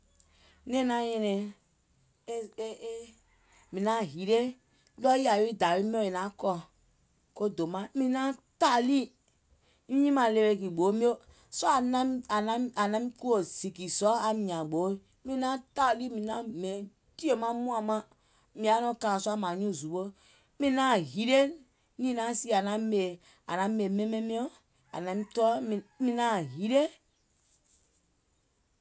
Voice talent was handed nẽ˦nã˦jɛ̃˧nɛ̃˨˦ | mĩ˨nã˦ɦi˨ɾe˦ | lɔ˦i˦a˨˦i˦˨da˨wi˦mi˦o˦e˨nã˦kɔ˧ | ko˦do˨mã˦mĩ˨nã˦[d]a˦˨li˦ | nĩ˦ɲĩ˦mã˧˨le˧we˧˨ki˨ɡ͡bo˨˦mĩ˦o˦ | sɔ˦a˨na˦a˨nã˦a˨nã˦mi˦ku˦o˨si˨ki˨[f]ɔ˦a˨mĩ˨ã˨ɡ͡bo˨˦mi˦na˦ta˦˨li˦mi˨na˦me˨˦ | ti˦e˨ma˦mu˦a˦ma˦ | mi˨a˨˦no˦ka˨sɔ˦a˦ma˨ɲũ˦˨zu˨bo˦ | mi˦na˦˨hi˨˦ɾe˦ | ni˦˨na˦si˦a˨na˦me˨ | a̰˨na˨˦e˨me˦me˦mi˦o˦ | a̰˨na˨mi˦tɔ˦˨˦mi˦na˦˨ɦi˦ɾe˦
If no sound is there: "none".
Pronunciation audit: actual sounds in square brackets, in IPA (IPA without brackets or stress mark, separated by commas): t, s